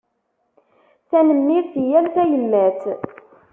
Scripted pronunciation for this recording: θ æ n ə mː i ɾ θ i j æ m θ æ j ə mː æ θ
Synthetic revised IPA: θ æ n ə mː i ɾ θ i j æ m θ æ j ə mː æ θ

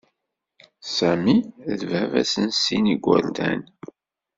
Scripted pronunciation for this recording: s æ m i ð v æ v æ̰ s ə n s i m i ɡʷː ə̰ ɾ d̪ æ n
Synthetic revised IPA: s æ m i ð v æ v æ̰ s ə n s i n i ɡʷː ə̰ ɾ d̪ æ n

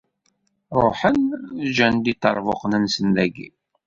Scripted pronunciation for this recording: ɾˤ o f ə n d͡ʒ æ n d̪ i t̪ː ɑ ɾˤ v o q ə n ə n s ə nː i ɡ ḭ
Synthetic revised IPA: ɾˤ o ħ ə n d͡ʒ æ n d̪ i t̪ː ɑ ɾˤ v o q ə n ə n s ə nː æ ɡ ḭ

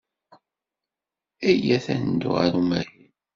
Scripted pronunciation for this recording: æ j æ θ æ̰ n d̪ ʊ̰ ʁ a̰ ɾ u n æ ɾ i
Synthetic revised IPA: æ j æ θ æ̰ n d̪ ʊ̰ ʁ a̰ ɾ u m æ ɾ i

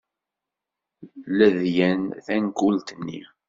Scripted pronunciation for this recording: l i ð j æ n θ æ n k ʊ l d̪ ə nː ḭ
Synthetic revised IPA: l æ ð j æ n θ æ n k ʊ l t̪ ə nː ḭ

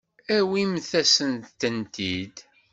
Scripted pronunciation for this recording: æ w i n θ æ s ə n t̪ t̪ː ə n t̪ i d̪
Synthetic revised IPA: æ w i m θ æ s ə n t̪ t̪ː ə n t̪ i d̪

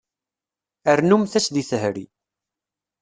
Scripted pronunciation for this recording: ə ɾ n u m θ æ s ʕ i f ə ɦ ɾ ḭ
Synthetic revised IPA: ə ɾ n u m θ æ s ð i θ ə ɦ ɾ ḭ

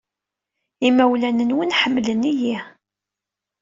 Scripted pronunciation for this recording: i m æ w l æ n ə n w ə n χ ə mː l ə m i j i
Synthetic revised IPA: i m æ w l æ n ə n w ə n ħ ə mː l ə n i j i

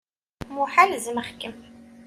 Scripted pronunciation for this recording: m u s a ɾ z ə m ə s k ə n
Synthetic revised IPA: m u ħ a l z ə m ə χ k ə m

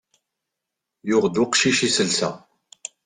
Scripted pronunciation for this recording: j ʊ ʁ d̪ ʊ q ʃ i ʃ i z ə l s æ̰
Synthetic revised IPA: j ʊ ʁ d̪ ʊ q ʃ i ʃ i s ə l s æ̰

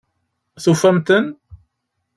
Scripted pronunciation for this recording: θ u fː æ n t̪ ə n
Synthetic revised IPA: θ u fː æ m t̪ ə n

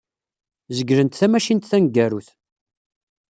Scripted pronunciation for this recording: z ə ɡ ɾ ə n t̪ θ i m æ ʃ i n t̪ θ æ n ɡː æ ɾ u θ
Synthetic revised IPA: z ə ɡ ɾ ə n t̪ θ æ m æ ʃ i n t̪ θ æ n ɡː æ ɾ u θ

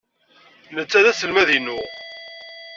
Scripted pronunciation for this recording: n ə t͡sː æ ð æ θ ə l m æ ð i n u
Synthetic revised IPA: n ə t͡sː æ ð æ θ ə l m æ ð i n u

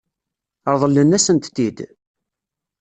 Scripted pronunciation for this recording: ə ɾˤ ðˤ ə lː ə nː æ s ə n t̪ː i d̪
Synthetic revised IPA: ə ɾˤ ðˤ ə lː ə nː æ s ə n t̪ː i d̪

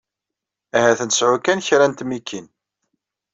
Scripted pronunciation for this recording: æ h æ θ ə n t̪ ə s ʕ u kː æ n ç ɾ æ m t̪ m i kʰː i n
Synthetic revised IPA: æ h æ θ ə n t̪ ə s ʕ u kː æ n ç ɾ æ n t̪ m i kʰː i n

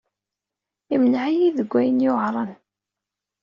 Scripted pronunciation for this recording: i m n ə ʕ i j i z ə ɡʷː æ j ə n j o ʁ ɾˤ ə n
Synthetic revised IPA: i m n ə ʕ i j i ð ə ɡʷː æ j ə n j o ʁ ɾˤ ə n

